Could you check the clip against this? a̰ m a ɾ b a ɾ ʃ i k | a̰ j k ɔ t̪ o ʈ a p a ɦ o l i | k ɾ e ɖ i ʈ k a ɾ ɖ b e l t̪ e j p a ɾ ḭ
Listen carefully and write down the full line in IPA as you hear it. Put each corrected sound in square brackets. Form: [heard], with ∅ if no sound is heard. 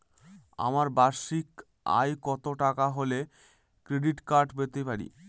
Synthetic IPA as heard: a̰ m a ɾ b a ɾ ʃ i k | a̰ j k ɔ t̪ o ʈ a [k] a ɦ o l [e] | k ɾ e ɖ i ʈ k a ɾ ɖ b e [∅] t̪ e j p a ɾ ḭ

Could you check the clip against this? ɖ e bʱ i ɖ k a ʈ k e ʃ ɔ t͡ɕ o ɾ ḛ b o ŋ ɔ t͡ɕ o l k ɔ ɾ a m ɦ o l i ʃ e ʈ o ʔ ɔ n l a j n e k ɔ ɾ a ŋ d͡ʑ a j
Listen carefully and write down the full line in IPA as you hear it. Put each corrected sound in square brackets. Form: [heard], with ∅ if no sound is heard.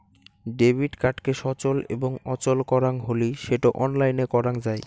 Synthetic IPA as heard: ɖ e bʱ i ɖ k a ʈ k e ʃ ɔ t͡ɕ o [l] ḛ b o ŋ ɔ t͡ɕ o l k ɔ ɾ a [ŋ] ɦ o l i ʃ e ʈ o ʔ ɔ n l a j n e k ɔ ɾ a ŋ d͡ʑ a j

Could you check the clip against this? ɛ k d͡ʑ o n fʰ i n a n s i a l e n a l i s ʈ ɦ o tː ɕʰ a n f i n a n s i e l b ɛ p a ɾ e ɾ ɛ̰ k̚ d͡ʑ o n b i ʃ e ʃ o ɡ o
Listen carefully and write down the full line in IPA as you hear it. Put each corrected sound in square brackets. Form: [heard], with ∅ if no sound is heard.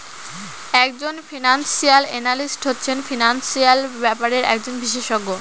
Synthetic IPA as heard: ɛ k d͡ʑ o n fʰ i n a n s i a l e n a l i s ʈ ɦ o tː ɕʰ [e] n f i n a n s i [a] l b ɛ p a ɾ e ɾ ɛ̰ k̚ d͡ʑ o n b i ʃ e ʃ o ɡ o

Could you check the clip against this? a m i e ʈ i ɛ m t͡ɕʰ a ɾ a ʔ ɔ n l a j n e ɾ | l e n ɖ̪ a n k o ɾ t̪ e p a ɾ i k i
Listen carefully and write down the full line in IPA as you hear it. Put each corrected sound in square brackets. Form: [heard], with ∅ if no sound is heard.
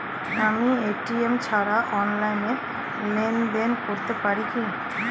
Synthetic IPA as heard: a m i e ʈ i [e] m t͡ɕʰ a ɾ a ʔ ɔ n l a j n e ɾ | l e n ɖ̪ [e] n k o ɾ t̪ e p a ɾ i k i

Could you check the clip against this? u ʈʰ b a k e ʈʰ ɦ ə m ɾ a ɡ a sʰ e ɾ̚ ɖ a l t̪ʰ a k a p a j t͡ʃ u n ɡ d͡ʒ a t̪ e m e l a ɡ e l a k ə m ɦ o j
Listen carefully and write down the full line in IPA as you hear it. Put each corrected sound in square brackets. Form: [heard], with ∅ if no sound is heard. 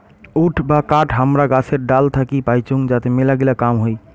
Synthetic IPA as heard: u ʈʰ b a k [a] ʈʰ ɦ ə m ɾ a ɡ a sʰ e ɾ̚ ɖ a l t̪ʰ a k [i] p a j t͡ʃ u [ŋ] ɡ d͡ʒ a t̪ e m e l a ɡ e l a k [a] m ɦ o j

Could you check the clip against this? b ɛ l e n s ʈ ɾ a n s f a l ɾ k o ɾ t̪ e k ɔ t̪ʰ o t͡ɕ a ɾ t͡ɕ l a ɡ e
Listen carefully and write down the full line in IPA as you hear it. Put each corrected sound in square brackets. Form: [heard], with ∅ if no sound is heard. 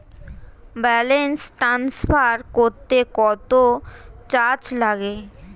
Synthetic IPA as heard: b ɛ l e n s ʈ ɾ a n s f a [∅] ɾ k o ɾ t̪ e k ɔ [t̪] o t͡ɕ a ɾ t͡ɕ l a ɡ e

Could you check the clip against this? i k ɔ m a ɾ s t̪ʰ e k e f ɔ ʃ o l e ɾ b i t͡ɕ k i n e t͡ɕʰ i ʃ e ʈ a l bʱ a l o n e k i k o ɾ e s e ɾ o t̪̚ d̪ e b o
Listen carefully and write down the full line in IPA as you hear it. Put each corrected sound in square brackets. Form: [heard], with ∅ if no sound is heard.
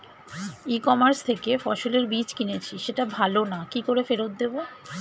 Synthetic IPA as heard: i k ɔ m a ɾ s t̪ʰ e k e f ɔ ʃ o l e ɾ b i t͡ɕ k i n e t͡ɕʰ i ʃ e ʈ a [∅] bʱ a l o n [a] k i k o ɾ e [f] e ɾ o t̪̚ d̪ e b o

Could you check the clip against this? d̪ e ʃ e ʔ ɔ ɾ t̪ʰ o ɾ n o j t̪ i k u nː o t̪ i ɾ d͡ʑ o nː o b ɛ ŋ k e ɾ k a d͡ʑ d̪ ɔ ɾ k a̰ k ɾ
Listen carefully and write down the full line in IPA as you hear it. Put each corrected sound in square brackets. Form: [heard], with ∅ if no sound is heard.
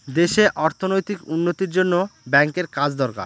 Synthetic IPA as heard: d̪ e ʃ e ʔ ɔ ɾ t̪ʰ o [∅] n o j t̪ i k u nː o t̪ i ɾ d͡ʑ o nː o b ɛ ŋ k e ɾ k a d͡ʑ d̪ ɔ ɾ k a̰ [∅] ɾ

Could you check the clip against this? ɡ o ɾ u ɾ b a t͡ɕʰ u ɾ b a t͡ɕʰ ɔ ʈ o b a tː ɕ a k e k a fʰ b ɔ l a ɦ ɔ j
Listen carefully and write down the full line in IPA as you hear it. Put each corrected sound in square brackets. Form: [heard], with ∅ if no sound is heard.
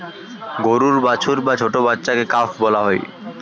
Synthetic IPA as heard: ɡ o ɾ u ɾ b a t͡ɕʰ u ɾ b a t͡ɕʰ [o] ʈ o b a tː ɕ a k e k a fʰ b ɔ l a ɦ ɔ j

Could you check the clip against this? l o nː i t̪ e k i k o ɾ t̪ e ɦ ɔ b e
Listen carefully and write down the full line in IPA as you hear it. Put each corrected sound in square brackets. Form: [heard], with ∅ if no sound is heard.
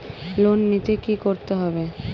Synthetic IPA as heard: l o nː i t̪ e k i k o ɾ t̪ e ɦ ɔ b e

